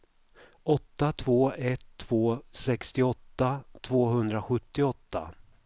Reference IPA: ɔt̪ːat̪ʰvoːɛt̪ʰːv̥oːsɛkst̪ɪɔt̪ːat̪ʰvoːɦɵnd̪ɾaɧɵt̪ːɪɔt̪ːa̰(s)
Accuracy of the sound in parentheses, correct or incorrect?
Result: incorrect